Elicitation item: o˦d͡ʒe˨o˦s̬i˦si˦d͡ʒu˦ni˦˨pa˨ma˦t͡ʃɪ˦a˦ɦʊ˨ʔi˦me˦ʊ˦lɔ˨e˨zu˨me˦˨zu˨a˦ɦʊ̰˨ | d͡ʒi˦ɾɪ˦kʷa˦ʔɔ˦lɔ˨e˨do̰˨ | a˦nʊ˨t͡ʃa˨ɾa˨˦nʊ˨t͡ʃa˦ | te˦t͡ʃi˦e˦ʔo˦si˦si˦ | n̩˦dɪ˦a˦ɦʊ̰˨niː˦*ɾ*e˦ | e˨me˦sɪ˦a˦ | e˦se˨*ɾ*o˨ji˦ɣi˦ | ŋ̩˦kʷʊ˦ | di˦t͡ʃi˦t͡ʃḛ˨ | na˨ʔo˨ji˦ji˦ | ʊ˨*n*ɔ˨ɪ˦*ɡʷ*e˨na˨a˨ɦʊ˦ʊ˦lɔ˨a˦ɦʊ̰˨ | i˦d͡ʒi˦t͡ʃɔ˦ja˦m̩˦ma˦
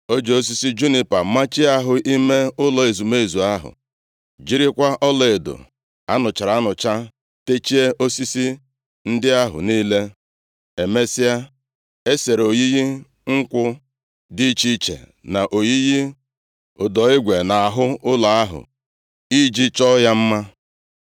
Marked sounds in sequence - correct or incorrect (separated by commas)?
incorrect, correct, incorrect, correct